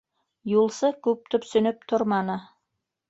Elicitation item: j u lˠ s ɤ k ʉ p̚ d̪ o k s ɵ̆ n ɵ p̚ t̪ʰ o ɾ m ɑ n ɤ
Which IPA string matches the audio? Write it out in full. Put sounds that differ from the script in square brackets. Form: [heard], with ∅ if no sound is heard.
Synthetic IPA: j u lˠ s ɤ k ʉ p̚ [t̪] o [p] s ɵ̆ n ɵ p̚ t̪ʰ o ɾ m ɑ n ɤ

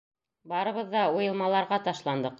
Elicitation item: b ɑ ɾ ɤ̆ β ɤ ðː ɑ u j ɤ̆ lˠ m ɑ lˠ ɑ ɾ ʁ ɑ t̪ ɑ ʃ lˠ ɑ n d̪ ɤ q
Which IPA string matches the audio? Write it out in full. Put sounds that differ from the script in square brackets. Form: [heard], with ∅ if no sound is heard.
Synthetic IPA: b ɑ ɾ ɤ̆ β ɤ ðː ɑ u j ɤ̆ lˠ m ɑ lˠ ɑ ɾ ʁ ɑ t̪ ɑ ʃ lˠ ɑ n d̪ ɤ q

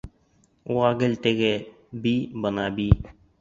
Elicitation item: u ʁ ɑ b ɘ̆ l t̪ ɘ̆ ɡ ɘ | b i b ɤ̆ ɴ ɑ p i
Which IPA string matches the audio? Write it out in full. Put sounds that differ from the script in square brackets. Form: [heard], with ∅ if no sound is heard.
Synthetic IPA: u ʁ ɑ [ɡ] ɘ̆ l t̪ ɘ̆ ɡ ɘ | b i b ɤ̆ [n] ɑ [b] i

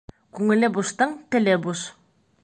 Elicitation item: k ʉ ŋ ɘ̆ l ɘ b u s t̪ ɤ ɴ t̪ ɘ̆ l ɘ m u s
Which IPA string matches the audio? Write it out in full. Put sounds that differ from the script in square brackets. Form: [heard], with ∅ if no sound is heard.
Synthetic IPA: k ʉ ŋ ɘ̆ l ɘ b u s t̪ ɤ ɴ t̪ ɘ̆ l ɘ [b] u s

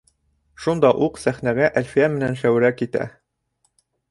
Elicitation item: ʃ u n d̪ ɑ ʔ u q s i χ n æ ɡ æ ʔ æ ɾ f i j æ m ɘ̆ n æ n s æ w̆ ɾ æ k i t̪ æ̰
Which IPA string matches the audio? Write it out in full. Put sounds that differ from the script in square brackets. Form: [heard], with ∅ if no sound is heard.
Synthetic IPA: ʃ u n d̪ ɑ ʔ u q s [æ] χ n æ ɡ æ ʔ æ [l] f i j æ m ɘ̆ n æ n [ʃ] æ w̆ ɾ æ k i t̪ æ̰

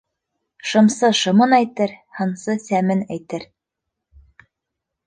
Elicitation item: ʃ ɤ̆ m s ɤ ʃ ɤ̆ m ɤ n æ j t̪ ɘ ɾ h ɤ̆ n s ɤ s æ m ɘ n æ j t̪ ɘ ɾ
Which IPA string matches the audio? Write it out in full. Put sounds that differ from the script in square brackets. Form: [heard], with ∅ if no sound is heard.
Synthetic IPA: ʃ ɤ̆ m s ɤ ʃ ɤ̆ m ɤ n æ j t̪ ɘ ɾ h ɤ̆ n s ɤ s æ m ɘ n æ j t̪ ɘ ɾ

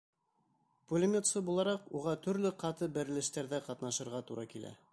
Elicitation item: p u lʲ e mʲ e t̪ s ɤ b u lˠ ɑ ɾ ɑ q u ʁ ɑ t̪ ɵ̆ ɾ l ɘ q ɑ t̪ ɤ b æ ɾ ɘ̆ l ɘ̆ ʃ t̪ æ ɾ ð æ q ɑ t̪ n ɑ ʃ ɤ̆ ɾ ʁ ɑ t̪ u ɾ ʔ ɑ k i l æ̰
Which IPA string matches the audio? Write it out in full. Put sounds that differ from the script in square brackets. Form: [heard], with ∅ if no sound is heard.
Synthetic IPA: p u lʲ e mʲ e t̪ s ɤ b u lˠ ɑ ɾ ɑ q u ʁ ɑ t̪ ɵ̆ ɾ l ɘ q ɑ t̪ ɤ b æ ɾ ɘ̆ l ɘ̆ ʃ t̪ æ ɾ ð æ q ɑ t̪ n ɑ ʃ ɤ̆ ɾ ʁ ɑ t̪ u ɾ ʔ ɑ k i l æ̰

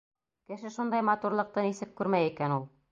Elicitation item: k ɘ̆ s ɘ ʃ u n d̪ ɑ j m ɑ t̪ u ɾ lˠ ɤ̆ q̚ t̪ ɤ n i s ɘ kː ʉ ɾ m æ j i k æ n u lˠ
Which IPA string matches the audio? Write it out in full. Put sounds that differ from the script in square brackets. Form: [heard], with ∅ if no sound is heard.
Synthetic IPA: k ɘ̆ [ʃ] ɘ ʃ u n d̪ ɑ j m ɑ t̪ u ɾ lˠ ɤ̆ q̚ t̪ ɤ n i s ɘ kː ʉ ɾ m æ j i k æ n u lˠ

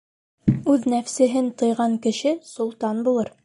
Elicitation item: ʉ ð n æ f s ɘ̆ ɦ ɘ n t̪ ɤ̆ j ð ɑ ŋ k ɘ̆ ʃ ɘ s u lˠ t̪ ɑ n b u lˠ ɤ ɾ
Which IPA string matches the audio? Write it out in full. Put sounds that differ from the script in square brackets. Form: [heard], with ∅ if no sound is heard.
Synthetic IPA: ʉ ð n æ f s ɘ̆ ɦ ɘ n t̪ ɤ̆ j [ʁ] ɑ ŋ k ɘ̆ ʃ ɘ s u lˠ t̪ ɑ n b u lˠ ɤ ɾ

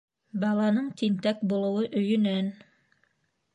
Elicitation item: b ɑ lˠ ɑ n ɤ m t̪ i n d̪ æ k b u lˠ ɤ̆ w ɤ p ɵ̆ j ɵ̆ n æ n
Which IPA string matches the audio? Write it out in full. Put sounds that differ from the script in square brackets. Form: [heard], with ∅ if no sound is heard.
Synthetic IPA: b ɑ lˠ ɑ n ɤ [ɴ] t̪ i n [t̪] æ k b u lˠ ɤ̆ w ɤ [ʔ] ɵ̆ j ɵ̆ n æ n

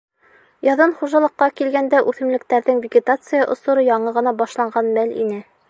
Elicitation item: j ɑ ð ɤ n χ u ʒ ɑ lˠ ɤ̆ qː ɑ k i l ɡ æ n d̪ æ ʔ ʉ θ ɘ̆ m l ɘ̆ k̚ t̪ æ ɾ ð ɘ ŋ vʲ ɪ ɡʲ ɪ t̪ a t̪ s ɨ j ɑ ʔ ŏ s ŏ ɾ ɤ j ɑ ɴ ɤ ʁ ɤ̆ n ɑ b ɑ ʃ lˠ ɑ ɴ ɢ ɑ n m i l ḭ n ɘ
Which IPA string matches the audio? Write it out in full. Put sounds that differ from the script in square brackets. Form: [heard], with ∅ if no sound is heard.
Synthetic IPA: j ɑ ð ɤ n χ u ʒ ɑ lˠ ɤ̆ qː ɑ k i l ɡ æ n d̪ æ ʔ ʉ θ ɘ̆ m l ɘ̆ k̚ t̪ æ ɾ ð ɘ ŋ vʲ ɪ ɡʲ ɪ t̪ a t̪ s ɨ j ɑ ʔ ŏ s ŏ ɾ ɤ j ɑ ɴ ɤ ʁ ɤ̆ n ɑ b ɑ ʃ lˠ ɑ ɴ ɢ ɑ n m [æ] l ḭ n ɘ

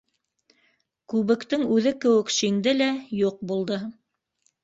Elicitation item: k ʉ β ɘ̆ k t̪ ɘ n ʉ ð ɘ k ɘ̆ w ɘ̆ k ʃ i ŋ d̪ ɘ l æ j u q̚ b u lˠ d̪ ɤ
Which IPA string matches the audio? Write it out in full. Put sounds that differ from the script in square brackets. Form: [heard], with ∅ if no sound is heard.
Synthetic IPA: k ʉ β ɘ̆ k t̪ ɘ [ŋ] ʉ ð ɘ k ɘ̆ w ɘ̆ k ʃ i ŋ d̪ ɘ l æ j u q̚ b u lˠ d̪ ɤ

